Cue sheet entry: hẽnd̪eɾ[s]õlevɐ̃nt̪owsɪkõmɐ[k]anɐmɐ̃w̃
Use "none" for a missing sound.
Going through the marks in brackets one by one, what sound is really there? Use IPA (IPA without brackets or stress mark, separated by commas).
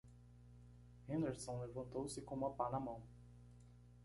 s, p